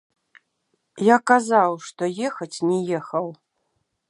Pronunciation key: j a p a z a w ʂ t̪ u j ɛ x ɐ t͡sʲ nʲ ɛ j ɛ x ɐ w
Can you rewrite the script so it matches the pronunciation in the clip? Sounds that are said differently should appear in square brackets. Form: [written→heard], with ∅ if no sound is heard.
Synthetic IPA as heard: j a [p→k] a z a w ʂ t̪ [u→ɔ] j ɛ x ɐ t͡sʲ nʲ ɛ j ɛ x ɐ w